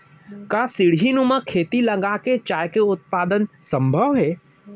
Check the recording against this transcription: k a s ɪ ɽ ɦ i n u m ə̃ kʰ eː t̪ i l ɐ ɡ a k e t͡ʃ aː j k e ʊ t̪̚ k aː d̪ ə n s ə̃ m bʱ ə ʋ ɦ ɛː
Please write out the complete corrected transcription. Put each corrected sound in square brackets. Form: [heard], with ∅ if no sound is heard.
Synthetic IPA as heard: k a s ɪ ɽ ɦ i n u m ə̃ kʰ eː t̪ i l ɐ ɡ a k e t͡ʃ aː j k e ʊ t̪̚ [p] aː d̪ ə n s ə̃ m bʱ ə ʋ ɦ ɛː